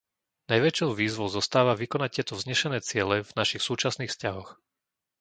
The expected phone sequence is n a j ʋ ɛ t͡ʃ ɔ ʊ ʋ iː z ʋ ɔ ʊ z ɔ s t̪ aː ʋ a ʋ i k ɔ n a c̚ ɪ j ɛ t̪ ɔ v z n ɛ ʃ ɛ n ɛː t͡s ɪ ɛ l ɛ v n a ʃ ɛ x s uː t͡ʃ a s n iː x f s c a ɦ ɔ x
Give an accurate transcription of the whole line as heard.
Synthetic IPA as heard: n a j ʋ ɛ t͡ʃ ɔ ʊ ʋ iː z ʋ ɔ ʊ z ɔ s t̪ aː ʋ a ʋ i k ɔ n a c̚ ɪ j ɛ t̪ ɔ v z ɲ ɛ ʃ ɛ n ɛː t͡s ɪ ɛ l ɛ v n a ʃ i x s uː t͡ʃ a s n iː x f s c a ɦ ɔ x

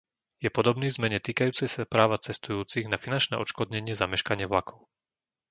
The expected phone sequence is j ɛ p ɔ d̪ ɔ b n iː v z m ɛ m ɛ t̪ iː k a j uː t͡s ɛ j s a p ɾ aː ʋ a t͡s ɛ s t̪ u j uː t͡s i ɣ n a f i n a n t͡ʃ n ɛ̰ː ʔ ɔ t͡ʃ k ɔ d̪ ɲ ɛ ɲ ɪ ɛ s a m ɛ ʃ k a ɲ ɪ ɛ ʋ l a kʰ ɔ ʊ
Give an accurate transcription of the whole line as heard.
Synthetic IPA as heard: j ɛ p ɔ d̪ ɔ b n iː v z m ɛ ɲ ɛ t̪ iː k a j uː t͡s ɛ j s a p ɾ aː ʋ a t͡s ɛ s t̪ u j uː t͡s i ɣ n a f i n a n t͡ʃ n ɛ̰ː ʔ ɔ t͡ʃ k ɔ d̪ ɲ ɛ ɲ ɪ ɛ z a m ɛ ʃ k a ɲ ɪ ɛ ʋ l a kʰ ɔ ʊ

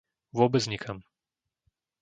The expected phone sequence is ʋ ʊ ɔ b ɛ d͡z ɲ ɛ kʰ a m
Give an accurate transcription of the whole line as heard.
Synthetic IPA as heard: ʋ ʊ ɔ b ɛ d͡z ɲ i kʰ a m

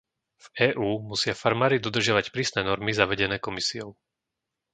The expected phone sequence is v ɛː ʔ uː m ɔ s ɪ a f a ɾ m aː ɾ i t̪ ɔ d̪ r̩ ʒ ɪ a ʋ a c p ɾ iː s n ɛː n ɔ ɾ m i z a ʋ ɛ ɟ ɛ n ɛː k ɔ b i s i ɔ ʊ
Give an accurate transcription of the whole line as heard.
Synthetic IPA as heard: v ɛː ʔ uː m u s ɪ a f a ɾ m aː ɾ i d̪ ɔ d̪ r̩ ʒ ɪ a ʋ a c p ɾ iː s n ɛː n ɔ ɾ m i z a ʋ ɛ ɟ ɛ n ɛː k ɔ m i s i ɔ ʊ

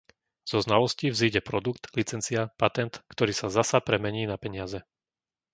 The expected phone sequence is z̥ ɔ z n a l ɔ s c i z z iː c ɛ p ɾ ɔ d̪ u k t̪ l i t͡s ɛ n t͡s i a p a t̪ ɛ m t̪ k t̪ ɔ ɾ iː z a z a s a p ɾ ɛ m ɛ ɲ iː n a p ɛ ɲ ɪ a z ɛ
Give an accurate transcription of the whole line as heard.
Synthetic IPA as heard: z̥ ɔ z n a l ɔ s c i v z iː ɟ ɛ p ɾ ɔ d̪ u k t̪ l i t͡s ɛ n t͡s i a p a t̪ ɛ n t̪ k t̪ ɔ ɾ iː s a z a s a p ɾ ɛ m ɛ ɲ iː n a p ɛ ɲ ɪ a z ɛ

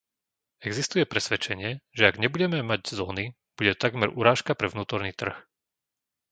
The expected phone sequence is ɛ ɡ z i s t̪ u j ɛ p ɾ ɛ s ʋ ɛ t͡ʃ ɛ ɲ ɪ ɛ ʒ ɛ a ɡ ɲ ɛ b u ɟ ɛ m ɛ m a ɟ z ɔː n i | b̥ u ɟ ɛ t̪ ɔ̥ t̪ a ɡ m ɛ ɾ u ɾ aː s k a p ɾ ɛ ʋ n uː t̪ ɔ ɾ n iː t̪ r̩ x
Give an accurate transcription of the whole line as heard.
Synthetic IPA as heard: ɛ ɡ z i s t̪ u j ɛ p ɾ ɛ s ʋ ɛ t͡ʃ ɛ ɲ ɪ ɛ ʒ ɛ a ɡ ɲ ɛ b u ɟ ɛ m ɛ m a ɟ z ɔː n i | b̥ u ɟ ɛ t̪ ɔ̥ t̪ a ɡ m ɛ ɾ u ɾ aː ʃ k a p ɾ ɛ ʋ n uː t̪ ɔ ɾ n iː t̪ r̩ x

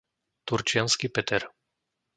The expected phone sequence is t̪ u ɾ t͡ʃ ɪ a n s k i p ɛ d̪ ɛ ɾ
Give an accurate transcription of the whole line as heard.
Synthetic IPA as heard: t̪ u ɾ t͡ʃ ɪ a n s k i p ɛ t̪ ɛ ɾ

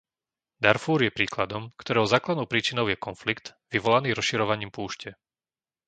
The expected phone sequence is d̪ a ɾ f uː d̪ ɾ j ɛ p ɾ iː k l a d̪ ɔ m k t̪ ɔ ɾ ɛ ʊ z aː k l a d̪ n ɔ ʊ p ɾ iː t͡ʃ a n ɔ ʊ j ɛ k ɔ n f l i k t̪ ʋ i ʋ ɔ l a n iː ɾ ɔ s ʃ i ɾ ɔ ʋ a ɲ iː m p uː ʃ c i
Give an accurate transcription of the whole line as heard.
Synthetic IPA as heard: d̪ a ɾ f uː ɾ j ɛ p ɾ iː k l a d̪ ɔ m k t̪ ɔ ɾ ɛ ʊ z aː k l a d̪ n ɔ ʊ p ɾ iː t͡ʃ i n ɔ ʊ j ɛ k ɔ n f l i k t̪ ʋ i ʋ ɔ l a n iː ɾ ɔ s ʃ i ɾ ɔ ʋ a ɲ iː m p uː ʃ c ɛ

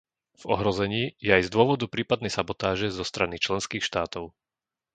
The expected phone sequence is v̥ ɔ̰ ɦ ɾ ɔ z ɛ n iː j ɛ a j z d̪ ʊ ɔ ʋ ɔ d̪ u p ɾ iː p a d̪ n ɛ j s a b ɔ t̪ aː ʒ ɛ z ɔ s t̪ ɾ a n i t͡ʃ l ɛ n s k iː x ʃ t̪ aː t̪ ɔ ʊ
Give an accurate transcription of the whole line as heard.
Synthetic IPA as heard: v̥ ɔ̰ ɦ ɾ ɔ z ɛ ɲ iː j ɛ a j z d̪ ʊ ɔ ʋ ɔ d̪ u p ɾ iː p a d̪ n ɛ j s a b ɔ t̪ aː ʒ ɛ z ɔ s t̪ ɾ a n i t͡ʃ l ɛ n s k iː x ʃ t̪ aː t̪ ɔ ʊ

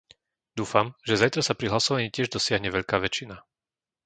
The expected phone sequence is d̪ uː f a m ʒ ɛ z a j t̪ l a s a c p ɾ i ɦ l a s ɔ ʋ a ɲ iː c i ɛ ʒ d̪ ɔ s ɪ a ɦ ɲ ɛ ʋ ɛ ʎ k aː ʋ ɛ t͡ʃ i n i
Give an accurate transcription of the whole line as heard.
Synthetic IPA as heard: d̪ uː f a m ʒ ɛ z a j t̪ ɾ a s a p ɾ i ɦ l a s ɔ ʋ a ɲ iː c ɪ ɛ ʒ d̪ ɔ s ɪ a ɦ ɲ ɛ ʋ ɛ ʎ k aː ʋ ɛ t͡ʃ i n a

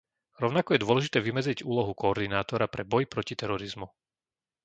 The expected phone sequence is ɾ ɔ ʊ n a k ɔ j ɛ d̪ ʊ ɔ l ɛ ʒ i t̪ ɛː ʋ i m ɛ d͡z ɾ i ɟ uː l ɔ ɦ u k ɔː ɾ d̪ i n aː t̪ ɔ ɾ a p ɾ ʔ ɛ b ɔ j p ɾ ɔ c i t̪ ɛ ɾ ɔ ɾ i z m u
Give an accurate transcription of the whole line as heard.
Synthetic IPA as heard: ɾ ɔ ʊ n a k ɔ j ɛ d̪ ʊ ɔ l ɛ ʒ i t̪ ɛː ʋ i m ɛ d͡z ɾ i ɟ uː l ɔ ɦ u k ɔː ɾ d̪ i n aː t̪ ɔ ɾ a p ɾ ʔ ɛ b ɔ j p ɾ ɔ c i t̪ ɛ ɾ ɔ ɾ i z m u

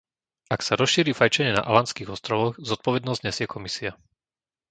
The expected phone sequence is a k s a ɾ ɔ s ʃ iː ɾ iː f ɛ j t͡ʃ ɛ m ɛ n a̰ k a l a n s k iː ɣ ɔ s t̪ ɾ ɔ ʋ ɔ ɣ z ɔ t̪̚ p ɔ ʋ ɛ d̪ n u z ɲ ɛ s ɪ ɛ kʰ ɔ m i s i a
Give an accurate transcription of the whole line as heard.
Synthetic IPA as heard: a k s a ɾ ɔ s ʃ iː ɾ iː f a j t͡ʃ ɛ ɲ ɛ n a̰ ʔ a l a n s k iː ɣ ɔ s t̪ ɾ ɔ ʋ ɔ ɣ z ɔ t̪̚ p ɔ ʋ ɛ d̪ n ɔ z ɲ ɛ s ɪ ɛ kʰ ɔ m i s i a

